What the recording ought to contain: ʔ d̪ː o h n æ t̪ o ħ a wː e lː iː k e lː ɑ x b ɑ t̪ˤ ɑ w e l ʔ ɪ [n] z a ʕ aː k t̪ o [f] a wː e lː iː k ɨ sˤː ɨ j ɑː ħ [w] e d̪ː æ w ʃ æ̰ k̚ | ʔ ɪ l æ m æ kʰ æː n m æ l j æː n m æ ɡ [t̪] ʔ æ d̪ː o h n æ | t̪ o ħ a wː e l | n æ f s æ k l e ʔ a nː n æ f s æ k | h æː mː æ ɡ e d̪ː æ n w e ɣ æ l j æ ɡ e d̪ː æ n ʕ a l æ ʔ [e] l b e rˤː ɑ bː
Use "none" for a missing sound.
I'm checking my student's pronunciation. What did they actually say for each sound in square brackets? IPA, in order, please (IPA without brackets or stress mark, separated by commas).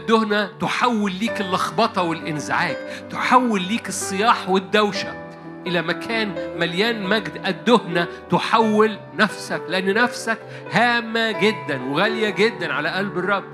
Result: n, ħ, w, d̪, æ